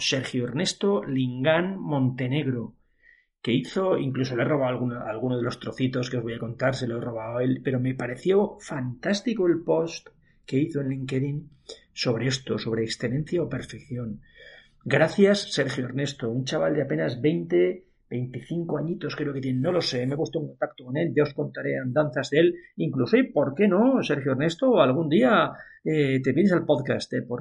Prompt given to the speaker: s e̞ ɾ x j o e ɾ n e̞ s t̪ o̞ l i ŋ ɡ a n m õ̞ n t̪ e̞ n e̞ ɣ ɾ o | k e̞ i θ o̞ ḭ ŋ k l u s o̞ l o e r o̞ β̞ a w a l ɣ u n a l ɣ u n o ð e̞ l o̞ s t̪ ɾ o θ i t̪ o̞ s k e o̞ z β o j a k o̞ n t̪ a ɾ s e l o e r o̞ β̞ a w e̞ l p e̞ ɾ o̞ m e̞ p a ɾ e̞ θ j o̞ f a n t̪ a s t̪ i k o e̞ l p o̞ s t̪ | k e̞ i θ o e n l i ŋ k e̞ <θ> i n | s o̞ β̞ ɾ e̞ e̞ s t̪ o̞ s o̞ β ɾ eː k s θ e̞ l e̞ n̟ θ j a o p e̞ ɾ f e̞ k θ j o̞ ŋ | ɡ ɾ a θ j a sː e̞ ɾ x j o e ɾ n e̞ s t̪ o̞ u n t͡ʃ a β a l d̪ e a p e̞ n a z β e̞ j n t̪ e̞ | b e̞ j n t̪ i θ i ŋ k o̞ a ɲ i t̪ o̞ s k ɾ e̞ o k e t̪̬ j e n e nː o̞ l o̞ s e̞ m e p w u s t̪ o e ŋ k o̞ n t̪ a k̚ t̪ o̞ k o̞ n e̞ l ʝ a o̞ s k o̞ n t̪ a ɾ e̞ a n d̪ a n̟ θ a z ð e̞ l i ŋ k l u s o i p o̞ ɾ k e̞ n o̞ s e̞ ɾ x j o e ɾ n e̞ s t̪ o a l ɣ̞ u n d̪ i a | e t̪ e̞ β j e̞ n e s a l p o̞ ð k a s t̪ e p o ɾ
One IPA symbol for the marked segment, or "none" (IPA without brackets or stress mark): ð